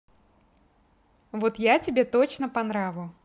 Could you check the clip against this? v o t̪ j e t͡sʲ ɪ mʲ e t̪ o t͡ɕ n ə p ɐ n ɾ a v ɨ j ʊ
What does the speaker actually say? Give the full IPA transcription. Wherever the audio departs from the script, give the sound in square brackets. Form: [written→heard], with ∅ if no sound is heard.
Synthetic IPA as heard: v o t̪ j [e→a] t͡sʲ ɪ [mʲ→bʲ] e t̪ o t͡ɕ n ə p ɐ n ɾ a v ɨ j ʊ